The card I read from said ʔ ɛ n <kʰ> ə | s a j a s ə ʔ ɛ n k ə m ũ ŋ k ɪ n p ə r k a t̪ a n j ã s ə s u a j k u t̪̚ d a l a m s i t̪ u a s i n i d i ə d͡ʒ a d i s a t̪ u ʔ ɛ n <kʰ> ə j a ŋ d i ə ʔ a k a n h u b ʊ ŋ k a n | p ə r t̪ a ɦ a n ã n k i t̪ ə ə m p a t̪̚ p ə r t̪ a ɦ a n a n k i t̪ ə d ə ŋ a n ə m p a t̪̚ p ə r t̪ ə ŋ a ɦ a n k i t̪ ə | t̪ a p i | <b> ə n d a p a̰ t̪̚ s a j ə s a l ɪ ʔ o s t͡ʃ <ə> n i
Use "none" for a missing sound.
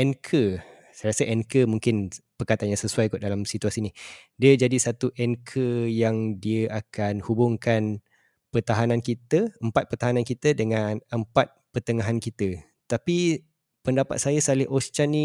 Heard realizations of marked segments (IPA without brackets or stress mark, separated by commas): kʰ, kʰ, p, a